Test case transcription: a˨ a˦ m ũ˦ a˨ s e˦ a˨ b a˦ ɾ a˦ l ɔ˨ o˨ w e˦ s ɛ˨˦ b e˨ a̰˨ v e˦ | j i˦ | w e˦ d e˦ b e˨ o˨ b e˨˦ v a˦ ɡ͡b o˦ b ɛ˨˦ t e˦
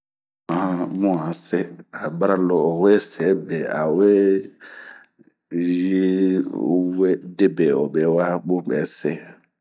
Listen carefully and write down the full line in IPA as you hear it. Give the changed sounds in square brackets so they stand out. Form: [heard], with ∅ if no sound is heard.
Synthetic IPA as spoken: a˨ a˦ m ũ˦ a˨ s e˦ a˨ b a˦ ɾ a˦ l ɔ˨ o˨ w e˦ s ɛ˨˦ b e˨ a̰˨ [w] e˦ | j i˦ | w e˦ d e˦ b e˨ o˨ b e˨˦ [w] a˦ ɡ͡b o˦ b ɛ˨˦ [s] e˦

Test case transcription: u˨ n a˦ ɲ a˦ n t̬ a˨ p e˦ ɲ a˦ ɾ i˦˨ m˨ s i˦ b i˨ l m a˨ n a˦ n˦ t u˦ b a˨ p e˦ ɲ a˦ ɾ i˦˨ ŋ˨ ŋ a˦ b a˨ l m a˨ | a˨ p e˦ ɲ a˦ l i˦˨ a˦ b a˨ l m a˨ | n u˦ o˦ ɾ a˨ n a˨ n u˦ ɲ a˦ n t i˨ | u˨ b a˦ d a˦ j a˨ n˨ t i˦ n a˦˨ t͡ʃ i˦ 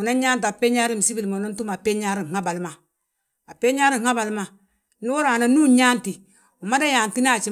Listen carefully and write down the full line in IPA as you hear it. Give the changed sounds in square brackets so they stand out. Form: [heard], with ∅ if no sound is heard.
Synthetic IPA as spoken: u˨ n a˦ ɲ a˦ n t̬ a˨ p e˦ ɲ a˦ ɾ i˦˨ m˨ s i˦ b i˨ l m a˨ n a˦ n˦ t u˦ [m] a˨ p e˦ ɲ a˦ ɾ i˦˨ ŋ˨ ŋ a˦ b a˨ l m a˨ | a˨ p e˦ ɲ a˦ [ɾ] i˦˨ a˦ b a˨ l m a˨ | n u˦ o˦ ɾ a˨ n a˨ n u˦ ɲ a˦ n t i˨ | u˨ [m] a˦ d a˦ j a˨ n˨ t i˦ n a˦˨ t͡ʃ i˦

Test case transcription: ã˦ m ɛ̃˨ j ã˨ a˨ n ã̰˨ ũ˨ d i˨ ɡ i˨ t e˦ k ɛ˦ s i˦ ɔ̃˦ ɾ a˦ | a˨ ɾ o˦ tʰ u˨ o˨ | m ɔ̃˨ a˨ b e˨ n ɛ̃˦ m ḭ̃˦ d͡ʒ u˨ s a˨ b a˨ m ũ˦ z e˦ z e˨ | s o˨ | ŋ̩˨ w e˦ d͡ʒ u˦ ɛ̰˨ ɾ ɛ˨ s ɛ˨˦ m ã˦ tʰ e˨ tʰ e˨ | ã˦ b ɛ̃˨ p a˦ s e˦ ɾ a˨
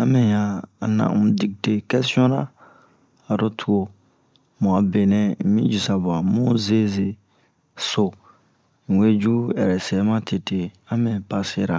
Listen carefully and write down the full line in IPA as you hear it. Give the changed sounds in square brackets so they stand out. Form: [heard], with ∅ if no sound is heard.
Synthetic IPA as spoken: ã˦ m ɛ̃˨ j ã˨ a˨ n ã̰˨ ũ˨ d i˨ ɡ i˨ t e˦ k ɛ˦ s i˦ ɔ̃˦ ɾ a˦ | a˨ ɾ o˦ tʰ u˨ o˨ | m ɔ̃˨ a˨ b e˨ n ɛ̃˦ m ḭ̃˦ d͡ʒ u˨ s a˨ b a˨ m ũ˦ z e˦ z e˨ | s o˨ | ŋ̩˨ w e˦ d͡ʒ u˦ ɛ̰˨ ɾ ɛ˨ s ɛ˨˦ m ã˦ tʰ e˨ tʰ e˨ | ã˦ [m] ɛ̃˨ p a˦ s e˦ ɾ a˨

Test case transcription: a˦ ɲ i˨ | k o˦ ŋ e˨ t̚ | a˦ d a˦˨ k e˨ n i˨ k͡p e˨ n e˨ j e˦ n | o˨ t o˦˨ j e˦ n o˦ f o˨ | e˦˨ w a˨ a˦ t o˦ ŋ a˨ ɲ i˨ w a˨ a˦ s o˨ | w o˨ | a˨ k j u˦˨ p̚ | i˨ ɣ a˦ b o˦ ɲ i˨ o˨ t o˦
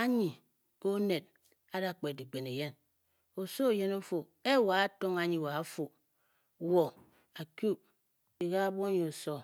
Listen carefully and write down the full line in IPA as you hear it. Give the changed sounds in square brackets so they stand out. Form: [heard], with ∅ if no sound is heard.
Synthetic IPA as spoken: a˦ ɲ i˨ | k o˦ [n] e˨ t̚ | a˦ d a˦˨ [k͡p] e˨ [d] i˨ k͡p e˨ n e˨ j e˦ n | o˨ [s] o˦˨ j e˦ n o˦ f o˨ | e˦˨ w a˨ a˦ t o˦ ŋ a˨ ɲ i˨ w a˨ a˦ [f] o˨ | w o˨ | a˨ k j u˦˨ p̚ | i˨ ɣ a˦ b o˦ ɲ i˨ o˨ [s] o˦

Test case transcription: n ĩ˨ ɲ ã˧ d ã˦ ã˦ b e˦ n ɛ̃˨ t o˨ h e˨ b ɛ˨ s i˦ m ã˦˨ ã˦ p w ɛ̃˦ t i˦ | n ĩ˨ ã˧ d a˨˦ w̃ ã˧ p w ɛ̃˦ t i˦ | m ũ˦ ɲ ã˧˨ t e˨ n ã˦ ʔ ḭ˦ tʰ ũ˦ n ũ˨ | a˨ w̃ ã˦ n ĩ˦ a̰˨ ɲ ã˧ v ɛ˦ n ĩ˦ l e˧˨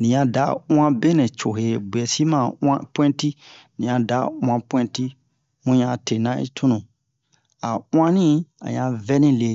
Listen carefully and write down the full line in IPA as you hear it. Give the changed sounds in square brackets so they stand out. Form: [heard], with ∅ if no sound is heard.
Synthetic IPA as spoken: n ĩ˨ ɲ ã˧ d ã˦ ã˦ b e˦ n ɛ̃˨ [t͡ʃ] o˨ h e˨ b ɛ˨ s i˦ m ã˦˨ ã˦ p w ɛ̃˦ t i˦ | n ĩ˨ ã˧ d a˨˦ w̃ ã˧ p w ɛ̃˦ t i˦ | m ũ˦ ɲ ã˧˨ t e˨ n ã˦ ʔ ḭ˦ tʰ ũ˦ n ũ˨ | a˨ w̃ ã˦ n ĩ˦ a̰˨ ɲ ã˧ v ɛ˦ n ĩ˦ l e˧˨

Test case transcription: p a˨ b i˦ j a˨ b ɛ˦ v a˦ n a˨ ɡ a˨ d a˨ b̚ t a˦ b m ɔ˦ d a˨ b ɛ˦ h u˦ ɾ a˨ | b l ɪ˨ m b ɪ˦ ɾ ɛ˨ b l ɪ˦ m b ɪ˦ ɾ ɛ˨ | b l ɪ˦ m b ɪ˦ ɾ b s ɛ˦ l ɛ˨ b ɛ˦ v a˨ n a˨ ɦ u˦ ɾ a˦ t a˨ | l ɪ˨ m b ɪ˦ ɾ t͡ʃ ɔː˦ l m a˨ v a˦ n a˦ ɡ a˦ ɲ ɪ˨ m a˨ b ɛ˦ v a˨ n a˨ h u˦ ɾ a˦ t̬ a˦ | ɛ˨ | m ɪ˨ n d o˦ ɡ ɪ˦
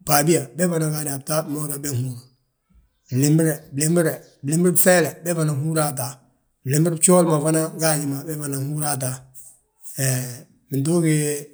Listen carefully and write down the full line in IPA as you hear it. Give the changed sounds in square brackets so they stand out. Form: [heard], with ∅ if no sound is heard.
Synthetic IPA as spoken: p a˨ b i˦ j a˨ b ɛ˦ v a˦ n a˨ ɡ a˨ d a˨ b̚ t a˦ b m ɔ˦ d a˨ b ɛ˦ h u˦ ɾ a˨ | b l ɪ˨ m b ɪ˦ ɾ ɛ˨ b l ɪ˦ m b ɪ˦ ɾ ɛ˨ | b l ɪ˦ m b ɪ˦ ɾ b [f] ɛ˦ l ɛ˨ b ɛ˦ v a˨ n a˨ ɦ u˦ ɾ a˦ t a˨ | l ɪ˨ m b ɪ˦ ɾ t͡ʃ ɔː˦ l m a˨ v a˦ n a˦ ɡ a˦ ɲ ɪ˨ m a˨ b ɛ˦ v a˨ n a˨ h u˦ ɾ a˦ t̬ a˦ | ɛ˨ | m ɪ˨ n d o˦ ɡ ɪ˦

